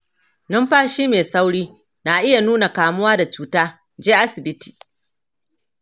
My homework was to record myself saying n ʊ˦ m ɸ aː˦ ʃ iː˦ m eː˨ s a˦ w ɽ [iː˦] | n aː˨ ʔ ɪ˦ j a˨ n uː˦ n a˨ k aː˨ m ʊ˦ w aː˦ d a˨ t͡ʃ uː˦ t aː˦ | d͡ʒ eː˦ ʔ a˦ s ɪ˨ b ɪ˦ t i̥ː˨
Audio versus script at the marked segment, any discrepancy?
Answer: no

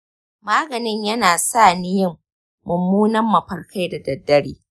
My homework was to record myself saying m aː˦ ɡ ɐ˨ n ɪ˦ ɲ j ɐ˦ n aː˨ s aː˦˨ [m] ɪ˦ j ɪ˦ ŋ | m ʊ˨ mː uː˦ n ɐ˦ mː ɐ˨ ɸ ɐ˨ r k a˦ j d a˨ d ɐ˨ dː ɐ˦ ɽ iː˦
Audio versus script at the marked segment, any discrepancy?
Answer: yes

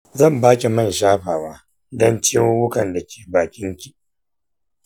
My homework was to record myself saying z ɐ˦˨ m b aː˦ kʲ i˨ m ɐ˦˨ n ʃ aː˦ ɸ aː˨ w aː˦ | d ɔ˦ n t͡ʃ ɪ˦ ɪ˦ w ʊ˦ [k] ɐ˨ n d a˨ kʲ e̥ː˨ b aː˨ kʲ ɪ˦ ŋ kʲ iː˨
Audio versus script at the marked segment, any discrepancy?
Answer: no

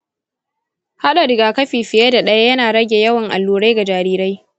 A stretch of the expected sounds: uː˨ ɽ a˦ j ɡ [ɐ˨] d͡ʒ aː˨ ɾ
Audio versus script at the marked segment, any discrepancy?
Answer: yes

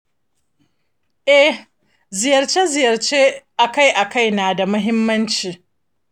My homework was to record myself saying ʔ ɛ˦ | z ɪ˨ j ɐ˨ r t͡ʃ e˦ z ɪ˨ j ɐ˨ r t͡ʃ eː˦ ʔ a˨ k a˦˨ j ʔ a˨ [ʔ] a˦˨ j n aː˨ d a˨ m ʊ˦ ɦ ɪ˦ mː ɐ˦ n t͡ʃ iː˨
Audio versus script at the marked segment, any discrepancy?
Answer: yes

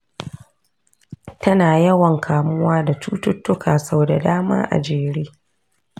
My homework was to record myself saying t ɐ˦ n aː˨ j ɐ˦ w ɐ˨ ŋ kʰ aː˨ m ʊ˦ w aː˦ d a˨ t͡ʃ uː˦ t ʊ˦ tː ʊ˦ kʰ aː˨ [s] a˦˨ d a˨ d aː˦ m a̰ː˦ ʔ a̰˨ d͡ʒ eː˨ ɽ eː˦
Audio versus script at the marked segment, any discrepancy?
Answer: no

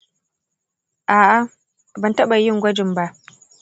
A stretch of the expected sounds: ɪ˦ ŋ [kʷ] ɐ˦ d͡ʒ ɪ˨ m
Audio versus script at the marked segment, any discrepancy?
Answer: yes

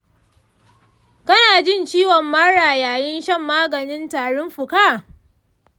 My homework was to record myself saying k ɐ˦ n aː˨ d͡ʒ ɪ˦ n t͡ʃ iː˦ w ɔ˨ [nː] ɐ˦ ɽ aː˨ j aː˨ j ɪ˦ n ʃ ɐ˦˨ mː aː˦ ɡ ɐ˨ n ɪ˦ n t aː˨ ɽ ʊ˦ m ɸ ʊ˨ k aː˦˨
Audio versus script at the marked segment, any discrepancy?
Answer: yes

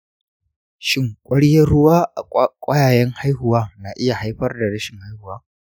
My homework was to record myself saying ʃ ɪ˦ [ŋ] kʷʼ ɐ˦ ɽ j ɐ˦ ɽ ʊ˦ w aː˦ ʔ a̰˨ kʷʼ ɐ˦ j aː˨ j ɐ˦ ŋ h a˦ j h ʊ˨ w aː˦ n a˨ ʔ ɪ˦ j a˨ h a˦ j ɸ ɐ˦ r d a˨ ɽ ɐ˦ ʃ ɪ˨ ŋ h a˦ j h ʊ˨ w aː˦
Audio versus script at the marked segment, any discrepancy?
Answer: no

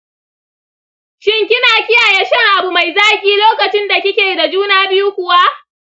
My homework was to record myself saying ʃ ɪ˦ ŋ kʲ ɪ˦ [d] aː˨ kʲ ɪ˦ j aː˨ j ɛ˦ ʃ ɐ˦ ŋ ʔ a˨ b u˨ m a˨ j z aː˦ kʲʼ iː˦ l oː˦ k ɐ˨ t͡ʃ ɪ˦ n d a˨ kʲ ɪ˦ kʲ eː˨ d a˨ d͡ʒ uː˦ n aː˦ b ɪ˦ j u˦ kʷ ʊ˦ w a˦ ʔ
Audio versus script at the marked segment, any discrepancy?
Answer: yes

